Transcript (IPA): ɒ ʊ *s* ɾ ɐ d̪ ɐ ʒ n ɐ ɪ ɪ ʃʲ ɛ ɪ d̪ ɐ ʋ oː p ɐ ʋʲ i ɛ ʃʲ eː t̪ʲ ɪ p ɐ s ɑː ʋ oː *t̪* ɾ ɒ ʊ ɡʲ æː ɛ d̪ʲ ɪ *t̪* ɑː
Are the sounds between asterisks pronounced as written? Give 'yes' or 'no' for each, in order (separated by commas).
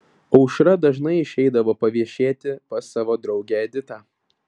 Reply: no, no, yes